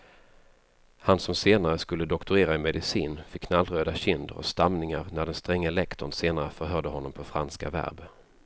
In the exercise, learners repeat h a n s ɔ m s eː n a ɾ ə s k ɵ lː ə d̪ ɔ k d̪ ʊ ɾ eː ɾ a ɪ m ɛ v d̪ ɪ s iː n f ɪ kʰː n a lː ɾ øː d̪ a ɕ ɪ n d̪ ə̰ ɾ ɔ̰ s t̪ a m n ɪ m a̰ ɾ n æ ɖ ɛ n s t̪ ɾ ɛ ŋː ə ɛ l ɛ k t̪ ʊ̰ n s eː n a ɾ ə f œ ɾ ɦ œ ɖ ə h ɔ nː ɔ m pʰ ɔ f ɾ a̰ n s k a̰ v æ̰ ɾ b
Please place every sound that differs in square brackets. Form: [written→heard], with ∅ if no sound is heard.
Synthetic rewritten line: h a n s ɔ m s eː n a ɾ ə s k ɵ lː ə d̪ ɔ k [d̪→t̪] ʊ ɾ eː ɾ a ɪ m ɛ [v→∅] d̪ ɪ s iː n f ɪ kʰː n a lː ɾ øː d̪ a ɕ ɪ n d̪ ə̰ ɾ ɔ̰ s t̪ a m n ɪ [m→ŋ] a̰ ɾ n æ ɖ ɛ n s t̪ ɾ ɛ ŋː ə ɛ l ɛ k t̪ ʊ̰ n s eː n a ɾ ə f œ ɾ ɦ œ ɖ ə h ɔ nː ɔ m pʰ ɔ f ɾ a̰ n s k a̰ v æ̰ ɾ b